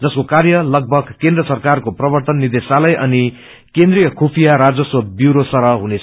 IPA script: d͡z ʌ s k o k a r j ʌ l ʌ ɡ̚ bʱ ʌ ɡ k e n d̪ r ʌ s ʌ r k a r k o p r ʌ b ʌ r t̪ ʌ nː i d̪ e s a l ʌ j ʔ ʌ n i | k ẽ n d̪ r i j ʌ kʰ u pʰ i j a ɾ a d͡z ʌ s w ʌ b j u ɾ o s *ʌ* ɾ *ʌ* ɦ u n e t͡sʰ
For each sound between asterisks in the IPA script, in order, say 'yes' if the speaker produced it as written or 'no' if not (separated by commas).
yes, yes